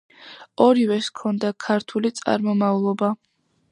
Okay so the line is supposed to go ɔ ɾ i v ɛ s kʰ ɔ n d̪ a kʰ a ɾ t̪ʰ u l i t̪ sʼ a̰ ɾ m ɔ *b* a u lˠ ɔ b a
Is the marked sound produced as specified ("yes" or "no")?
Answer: no